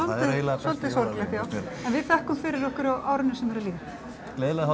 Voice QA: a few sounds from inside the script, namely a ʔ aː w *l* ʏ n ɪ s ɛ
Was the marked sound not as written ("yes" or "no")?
yes